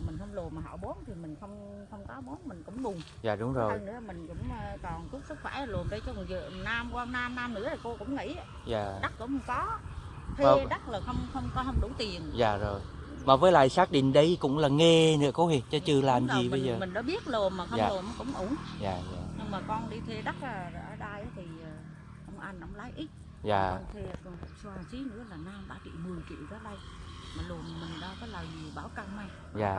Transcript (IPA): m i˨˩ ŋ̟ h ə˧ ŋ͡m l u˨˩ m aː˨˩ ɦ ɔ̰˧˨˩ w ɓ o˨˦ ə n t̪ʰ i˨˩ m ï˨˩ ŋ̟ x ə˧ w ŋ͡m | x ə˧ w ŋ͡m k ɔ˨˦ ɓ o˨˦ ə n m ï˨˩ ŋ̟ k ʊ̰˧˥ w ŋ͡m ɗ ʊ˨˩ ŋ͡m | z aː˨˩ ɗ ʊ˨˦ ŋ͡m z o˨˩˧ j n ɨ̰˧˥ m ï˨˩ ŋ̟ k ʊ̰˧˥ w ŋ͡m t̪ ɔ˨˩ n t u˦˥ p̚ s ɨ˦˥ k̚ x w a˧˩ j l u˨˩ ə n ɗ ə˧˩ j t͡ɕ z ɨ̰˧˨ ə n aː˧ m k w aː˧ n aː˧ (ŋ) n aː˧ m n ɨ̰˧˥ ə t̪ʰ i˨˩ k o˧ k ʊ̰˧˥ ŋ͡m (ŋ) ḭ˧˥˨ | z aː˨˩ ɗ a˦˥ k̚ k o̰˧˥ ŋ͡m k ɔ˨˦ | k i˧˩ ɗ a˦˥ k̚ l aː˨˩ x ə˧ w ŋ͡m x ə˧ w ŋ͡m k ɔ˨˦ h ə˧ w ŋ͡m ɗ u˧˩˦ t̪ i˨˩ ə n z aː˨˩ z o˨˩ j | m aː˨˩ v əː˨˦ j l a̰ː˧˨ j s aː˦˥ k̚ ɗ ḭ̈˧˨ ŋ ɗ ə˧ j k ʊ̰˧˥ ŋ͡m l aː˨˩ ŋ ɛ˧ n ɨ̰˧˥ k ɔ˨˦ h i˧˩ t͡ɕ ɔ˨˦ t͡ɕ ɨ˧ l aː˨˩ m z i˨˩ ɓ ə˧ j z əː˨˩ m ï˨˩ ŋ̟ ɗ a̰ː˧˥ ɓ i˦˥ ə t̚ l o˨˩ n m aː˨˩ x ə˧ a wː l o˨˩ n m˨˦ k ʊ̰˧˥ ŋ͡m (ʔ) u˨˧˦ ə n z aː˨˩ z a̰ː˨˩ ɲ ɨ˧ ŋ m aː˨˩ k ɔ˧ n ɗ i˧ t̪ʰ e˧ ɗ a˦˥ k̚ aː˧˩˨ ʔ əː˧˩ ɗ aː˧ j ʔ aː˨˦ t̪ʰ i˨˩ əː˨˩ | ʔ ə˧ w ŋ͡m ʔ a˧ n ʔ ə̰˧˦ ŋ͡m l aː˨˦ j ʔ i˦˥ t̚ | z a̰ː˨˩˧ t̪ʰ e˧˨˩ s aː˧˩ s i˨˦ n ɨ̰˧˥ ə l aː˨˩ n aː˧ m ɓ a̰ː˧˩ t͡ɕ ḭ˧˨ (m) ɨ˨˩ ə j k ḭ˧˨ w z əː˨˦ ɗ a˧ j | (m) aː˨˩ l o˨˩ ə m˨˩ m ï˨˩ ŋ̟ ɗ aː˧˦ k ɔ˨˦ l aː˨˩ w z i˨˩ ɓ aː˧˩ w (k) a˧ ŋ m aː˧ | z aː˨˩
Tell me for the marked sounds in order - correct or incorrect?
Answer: incorrect, correct, correct, correct, correct, correct

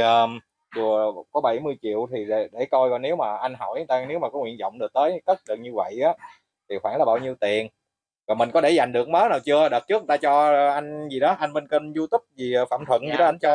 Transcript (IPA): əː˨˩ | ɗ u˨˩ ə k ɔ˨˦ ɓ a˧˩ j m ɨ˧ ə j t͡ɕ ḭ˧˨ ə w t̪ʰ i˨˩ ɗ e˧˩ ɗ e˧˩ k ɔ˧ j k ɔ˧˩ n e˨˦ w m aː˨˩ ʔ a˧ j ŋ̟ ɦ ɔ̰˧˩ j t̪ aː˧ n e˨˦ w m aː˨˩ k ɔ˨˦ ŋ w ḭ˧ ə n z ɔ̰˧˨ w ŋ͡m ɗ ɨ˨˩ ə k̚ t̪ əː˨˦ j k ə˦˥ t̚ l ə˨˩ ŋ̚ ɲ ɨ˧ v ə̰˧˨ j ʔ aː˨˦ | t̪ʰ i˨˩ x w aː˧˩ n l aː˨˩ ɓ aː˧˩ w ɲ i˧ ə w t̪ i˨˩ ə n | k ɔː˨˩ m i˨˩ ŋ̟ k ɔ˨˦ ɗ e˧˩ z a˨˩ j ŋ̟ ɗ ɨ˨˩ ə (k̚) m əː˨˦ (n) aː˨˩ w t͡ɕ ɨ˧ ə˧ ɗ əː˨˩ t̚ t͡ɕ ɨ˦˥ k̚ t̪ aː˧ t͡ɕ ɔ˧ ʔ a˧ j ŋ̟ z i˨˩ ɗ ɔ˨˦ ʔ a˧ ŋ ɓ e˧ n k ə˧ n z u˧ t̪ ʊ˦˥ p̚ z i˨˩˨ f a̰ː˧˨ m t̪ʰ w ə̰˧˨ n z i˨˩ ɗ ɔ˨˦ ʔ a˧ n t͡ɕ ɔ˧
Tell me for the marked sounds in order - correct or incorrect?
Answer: correct, correct

